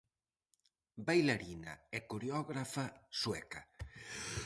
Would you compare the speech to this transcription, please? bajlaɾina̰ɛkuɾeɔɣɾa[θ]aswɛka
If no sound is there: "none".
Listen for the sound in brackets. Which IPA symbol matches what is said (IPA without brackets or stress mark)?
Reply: f